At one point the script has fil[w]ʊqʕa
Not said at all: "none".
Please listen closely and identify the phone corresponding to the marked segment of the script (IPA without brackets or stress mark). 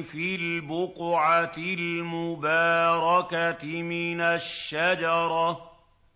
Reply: b